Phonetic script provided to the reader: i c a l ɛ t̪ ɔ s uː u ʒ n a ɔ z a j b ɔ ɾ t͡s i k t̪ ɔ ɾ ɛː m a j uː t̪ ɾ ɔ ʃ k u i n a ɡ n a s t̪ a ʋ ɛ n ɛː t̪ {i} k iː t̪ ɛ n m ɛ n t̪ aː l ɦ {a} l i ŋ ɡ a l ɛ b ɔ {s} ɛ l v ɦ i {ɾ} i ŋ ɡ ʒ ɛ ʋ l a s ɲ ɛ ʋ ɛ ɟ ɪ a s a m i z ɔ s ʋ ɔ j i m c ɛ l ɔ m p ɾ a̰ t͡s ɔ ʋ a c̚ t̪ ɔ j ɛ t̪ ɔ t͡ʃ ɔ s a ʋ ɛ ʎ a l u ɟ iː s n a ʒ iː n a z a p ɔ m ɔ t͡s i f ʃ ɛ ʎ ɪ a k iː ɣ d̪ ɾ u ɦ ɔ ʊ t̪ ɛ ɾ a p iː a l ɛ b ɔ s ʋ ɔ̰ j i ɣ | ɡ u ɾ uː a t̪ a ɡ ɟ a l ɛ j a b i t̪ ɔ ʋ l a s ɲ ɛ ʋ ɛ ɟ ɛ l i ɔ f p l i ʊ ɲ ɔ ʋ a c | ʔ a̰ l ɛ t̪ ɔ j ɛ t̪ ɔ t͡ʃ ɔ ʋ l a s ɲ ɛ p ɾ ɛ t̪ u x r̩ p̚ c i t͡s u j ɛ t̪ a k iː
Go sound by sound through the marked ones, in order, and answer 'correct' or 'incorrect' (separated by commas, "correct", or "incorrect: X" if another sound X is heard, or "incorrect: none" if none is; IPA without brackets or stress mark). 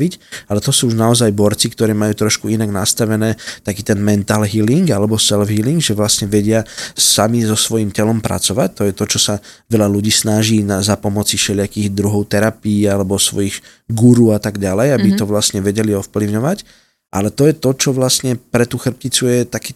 incorrect: a, incorrect: i, correct, incorrect: l